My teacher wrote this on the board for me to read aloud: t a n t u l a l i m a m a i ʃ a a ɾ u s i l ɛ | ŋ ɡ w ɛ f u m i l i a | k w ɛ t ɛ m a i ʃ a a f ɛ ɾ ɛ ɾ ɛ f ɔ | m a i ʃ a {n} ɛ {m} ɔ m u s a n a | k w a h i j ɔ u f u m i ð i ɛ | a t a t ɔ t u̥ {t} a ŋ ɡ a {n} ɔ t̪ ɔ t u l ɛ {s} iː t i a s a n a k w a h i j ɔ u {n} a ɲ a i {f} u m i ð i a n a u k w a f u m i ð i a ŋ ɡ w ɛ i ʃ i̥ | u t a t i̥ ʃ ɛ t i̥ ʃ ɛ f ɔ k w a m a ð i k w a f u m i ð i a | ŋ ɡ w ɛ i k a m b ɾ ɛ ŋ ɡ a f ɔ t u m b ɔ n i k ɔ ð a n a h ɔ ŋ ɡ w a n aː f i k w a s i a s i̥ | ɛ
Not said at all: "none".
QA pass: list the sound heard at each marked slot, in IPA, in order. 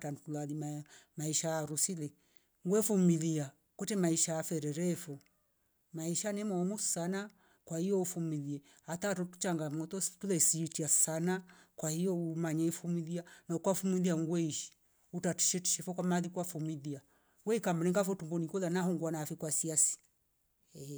n, m, t͡ʃ, m, s, m, f

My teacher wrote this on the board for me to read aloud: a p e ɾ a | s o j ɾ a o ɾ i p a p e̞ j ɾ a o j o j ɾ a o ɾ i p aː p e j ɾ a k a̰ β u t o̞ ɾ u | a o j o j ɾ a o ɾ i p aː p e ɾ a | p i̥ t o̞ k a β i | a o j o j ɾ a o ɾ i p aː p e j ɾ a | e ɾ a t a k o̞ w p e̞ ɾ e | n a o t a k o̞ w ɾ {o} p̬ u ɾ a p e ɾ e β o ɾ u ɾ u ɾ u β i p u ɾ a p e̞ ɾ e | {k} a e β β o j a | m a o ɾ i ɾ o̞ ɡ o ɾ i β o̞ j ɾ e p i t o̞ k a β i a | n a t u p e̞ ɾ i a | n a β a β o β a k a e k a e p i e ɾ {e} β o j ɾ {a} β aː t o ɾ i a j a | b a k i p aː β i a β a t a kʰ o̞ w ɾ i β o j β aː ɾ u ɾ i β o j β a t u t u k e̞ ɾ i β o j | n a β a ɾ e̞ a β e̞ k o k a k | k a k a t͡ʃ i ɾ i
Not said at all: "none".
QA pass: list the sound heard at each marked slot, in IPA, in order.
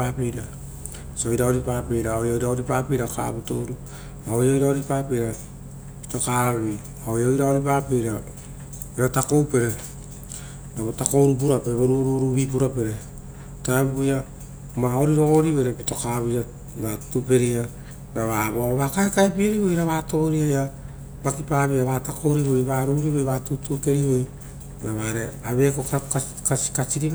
u, t, i, a

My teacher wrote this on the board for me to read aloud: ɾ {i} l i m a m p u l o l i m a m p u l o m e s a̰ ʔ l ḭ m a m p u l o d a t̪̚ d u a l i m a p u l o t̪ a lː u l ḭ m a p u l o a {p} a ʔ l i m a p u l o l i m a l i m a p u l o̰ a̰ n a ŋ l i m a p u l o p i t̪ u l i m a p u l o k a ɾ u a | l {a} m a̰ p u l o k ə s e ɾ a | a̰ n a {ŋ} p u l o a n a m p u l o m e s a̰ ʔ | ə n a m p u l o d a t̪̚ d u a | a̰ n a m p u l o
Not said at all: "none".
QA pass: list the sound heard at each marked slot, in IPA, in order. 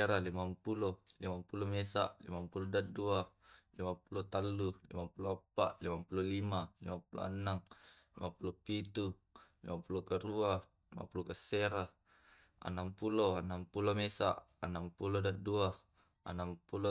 a, p, i, m

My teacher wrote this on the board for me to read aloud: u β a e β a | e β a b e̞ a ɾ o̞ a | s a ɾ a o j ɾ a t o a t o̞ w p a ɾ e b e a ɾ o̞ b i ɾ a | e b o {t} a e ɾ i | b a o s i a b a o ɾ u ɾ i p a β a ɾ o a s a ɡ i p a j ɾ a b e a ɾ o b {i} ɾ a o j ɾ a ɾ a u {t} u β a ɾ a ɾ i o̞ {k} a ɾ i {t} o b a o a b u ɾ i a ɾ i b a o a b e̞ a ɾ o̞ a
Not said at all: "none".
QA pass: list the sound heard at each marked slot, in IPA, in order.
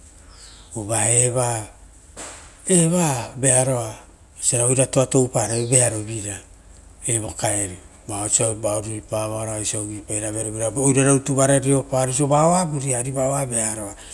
k, i, t, p, s

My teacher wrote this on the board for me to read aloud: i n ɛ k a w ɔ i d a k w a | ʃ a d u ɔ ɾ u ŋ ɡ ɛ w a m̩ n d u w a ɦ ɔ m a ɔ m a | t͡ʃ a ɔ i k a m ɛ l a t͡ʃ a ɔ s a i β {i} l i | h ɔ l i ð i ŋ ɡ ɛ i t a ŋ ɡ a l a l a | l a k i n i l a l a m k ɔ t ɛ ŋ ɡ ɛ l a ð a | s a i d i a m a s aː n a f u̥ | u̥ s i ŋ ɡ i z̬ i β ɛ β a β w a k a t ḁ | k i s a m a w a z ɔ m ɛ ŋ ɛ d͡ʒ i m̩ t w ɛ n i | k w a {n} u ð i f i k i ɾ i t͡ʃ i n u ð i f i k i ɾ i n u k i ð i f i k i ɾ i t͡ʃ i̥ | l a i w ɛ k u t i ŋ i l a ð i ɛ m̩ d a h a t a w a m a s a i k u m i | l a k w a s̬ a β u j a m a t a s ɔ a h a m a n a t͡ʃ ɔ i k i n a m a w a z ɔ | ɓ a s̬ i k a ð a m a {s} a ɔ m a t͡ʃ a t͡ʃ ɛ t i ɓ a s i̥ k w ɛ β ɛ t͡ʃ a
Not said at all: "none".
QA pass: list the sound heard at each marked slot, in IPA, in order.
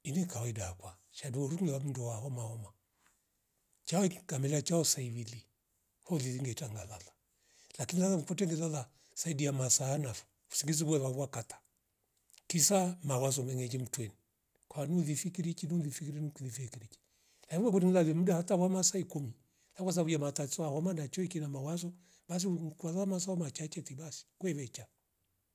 i, n, s

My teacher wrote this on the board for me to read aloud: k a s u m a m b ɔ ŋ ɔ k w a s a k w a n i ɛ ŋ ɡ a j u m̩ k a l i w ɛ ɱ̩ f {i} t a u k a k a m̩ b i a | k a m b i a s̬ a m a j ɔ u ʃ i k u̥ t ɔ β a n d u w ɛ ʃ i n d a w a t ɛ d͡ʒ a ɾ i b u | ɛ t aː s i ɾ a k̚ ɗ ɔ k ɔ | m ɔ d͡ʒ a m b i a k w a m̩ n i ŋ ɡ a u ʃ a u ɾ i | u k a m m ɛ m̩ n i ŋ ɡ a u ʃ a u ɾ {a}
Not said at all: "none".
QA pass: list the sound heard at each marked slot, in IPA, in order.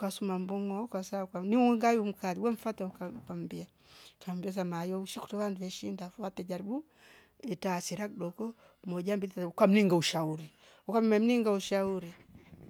a, i

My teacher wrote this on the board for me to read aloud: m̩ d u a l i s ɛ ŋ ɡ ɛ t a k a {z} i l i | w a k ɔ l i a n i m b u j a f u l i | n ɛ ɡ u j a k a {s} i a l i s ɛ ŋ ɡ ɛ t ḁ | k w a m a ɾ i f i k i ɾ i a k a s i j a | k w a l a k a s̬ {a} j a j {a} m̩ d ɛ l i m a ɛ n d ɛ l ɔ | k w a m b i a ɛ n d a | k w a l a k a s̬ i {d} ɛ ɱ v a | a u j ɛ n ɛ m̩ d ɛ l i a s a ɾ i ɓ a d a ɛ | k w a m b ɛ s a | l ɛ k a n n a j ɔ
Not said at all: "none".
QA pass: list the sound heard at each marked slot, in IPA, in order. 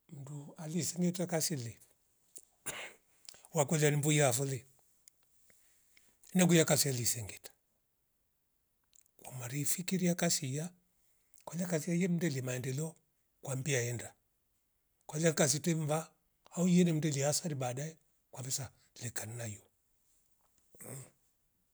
s, s, i, ɛ, t

